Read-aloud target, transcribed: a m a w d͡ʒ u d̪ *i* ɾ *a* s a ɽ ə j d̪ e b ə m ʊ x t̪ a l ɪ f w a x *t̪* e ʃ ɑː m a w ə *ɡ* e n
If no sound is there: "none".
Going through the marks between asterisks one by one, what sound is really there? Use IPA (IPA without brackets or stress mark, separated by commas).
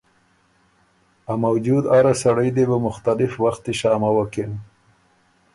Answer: a, a, t̪, k